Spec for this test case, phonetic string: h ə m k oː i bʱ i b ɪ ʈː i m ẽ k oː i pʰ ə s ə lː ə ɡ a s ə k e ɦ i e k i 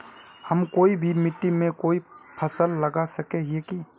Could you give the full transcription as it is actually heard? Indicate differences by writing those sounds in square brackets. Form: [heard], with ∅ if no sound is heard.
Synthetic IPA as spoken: h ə m k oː i bʱ i [m] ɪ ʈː i m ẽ k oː i pʰ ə s ə lː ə ɡ a s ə k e ɦ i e k i